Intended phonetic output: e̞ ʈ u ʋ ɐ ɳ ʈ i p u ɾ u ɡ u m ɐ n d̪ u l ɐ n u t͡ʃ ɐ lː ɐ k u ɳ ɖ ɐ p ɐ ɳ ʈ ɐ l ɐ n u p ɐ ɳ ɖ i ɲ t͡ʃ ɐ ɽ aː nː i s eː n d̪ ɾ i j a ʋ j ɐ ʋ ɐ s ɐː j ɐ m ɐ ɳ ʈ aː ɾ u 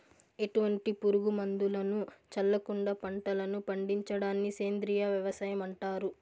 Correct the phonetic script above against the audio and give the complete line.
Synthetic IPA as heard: e̞ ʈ u ʋ ɐ ɳ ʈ i p u ɾ u ɡ u m ɐ n d̪ u l ɐ n u t͡ʃ ɐ lː ɐ k u ɳ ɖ ɐ p ɐ ɳ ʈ ɐ l ɐ n u p ɐ ɳ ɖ i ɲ t͡ʃ ɐ ɽ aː nː i s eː n d̪ ɾ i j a ʋ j ɐ ʋ ɐ s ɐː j ɐ m ɐ ɳ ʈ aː ɾ u